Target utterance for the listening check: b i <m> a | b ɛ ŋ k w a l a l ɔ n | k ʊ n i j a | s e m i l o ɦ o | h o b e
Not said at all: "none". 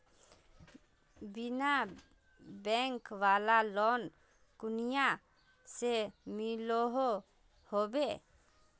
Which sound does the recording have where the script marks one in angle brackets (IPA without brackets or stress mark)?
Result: n